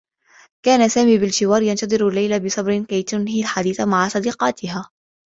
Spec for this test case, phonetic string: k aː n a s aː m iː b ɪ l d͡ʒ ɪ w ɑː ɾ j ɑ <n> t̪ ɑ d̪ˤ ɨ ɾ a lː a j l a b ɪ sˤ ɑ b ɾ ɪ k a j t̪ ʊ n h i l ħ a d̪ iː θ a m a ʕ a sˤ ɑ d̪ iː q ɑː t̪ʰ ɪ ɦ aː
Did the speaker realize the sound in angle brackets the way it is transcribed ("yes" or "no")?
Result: yes